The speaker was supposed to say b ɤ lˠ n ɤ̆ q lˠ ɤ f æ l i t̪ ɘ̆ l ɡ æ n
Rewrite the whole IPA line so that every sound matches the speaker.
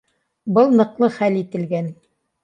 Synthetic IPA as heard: b ɤ lˠ n ɤ̆ q lˠ ɤ χ æ l i t̪ ɘ̆ l ɡ æ n